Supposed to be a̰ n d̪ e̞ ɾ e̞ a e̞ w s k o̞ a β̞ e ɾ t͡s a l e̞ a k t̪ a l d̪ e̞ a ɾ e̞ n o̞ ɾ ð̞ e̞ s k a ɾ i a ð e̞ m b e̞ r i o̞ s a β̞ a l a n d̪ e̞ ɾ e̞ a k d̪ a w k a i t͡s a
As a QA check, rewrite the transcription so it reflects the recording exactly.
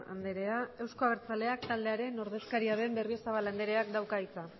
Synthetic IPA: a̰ n d̪ e̞ ɾ e̞ a e̞ w s k o̞ a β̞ e ɾ t͡s a l e̞ a k t̪ a l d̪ e̞ a ɾ e̞ n o̞ ɾ ð̞ e̞ s k a ɾ i a ð e̞ m b e̞ r i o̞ s a β̞ a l a n d̪ e̞ ɾ e̞ a k d̪ a w k a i t͡s a

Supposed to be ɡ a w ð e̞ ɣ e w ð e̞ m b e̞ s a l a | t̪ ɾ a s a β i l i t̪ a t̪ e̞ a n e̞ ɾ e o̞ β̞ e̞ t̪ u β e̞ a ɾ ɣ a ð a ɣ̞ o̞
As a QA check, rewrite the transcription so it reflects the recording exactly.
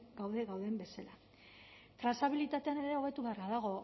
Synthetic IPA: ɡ a w ð e̞ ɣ a w ð e̞ m b e̞ s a l a | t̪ ɾ a s a β i l i t̪ a t̪ e̞ a n e̞ ɾ e o̞ β̞ e̞ t̪ u β e̞ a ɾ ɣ a ð a ɣ̞ o̞

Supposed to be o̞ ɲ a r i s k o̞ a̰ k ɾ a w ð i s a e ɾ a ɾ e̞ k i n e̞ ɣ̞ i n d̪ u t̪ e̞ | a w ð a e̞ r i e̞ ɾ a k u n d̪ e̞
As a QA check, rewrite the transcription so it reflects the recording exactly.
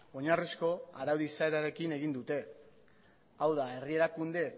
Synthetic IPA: o̞ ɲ a r i s k o̞ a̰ ɾ a w ð i s a e ɾ a ɾ e̞ k i n e̞ ɣ̞ i n d̪ u t̪ e̞ | a w ð a e̞ r i e̞ ɾ a k u n d̪ e̞

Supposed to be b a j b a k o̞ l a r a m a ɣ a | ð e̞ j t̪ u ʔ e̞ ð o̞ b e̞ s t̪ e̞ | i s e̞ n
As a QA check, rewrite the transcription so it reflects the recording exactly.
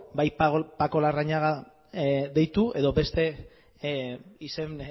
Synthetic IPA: b a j p a k o̞ l a r a ɲ a ɣ a | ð e̞ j t̪ u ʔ e̞ ð o̞ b e̞ s t̪ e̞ | i s e̞ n

